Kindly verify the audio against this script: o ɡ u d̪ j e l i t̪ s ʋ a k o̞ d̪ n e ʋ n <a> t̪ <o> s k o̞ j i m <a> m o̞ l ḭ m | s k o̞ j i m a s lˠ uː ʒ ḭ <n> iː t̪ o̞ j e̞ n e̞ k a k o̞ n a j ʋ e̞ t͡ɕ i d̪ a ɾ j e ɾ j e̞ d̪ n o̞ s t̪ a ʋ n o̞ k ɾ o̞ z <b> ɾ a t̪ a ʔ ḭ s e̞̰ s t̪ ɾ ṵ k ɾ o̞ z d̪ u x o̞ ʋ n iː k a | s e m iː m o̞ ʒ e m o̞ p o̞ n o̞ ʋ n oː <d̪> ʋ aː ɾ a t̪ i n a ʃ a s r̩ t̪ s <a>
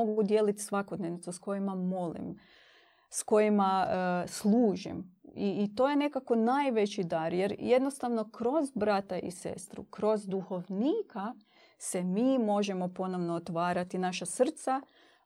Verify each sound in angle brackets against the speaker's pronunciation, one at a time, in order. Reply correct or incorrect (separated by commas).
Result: incorrect, incorrect, correct, incorrect, correct, incorrect, correct